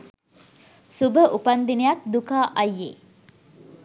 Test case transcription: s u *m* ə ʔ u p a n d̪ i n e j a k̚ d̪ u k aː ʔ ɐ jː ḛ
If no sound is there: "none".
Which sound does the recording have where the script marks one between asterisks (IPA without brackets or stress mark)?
b